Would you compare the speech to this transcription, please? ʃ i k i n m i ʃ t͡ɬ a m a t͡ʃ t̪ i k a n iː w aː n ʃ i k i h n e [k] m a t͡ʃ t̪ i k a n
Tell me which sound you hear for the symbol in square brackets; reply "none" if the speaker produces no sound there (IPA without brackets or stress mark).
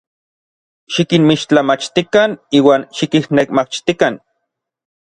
k